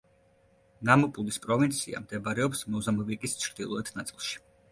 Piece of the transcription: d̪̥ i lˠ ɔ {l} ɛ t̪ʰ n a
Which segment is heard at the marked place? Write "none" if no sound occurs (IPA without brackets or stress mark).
none